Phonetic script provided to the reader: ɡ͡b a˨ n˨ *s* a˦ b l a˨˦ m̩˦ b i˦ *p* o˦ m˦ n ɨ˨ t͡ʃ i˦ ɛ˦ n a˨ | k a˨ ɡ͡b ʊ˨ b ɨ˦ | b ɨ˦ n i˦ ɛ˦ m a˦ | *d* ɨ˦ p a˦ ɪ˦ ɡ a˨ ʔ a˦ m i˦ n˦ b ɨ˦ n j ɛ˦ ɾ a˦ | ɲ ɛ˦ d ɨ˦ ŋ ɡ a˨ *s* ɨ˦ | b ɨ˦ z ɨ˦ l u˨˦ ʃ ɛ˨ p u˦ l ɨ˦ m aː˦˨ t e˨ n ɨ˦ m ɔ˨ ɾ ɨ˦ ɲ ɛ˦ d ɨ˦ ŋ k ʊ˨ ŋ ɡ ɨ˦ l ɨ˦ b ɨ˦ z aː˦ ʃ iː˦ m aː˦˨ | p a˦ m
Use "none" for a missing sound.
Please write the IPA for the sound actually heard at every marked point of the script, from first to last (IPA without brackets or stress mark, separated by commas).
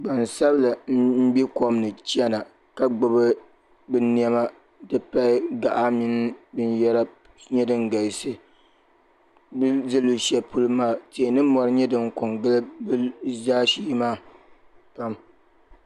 s, k, d, s